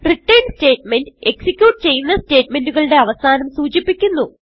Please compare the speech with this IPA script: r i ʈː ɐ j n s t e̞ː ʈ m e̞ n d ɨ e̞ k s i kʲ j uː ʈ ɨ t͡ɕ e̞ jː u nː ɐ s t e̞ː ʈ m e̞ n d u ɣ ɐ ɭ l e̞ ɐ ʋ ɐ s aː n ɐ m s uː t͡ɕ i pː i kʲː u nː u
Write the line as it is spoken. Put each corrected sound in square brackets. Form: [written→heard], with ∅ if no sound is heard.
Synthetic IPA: r i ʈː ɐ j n s t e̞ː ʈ m e̞ n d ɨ e̞ k s i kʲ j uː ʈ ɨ t͡ɕ e̞ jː u nː ɐ s t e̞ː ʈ m e̞ n d u ɣ ɐ ɭ [l→ɽ] e̞ ɐ ʋ ɐ s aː n ɐ m s uː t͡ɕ i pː i kʲː u nː u